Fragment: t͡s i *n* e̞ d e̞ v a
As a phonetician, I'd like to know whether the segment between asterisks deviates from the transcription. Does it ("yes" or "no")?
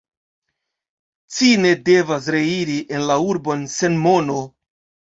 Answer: no